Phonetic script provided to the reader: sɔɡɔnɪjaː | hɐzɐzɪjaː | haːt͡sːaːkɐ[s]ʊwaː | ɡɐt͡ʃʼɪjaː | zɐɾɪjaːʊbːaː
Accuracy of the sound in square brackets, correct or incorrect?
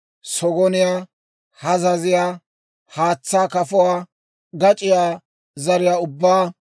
incorrect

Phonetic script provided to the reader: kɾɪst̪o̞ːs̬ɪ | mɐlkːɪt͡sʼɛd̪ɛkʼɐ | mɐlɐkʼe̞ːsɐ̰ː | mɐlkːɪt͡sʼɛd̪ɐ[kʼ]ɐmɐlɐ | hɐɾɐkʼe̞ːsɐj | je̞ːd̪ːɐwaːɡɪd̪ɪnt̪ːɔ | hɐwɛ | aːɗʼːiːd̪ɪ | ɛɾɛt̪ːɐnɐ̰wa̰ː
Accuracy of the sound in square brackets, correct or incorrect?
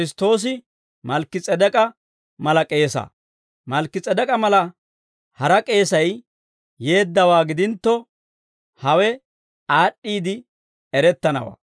correct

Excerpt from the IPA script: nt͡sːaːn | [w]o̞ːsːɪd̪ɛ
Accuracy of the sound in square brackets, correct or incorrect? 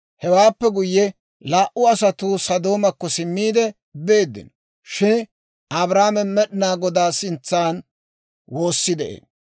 correct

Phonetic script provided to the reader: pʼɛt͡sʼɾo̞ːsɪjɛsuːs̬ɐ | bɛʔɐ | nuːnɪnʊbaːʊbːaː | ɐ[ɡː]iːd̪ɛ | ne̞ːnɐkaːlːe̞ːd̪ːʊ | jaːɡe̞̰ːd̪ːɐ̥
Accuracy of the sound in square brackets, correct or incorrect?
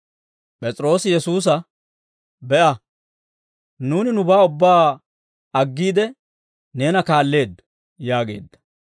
correct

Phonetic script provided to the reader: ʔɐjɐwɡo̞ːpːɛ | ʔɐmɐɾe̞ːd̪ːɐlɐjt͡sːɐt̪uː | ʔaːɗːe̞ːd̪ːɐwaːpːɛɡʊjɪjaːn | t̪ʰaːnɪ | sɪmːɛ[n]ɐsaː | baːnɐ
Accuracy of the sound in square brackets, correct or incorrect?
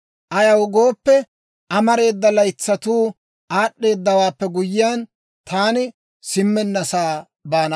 incorrect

